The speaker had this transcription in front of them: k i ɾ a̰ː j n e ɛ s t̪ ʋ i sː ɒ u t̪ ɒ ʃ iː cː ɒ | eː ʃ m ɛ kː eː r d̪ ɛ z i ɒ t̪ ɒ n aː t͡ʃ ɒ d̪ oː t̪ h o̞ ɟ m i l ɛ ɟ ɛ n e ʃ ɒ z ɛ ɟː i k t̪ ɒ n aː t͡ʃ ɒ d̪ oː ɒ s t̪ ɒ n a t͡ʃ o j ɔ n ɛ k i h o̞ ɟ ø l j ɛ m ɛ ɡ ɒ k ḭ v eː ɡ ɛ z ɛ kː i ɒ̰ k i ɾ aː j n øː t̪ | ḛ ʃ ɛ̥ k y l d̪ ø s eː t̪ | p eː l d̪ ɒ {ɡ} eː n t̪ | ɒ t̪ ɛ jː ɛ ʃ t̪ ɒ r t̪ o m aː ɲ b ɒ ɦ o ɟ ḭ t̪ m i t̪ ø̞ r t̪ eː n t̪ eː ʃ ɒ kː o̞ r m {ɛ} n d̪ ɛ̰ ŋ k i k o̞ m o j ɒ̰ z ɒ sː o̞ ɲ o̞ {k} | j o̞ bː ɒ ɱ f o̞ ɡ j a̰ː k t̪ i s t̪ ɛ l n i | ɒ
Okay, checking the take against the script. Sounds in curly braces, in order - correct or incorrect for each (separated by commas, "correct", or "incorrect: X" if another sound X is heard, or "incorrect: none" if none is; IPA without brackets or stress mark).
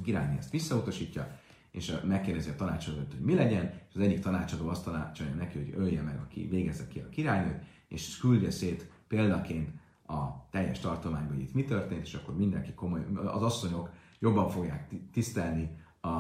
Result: incorrect: k, incorrect: i, correct